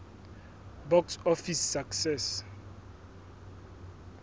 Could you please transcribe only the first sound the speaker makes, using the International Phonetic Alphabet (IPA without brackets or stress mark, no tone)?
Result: b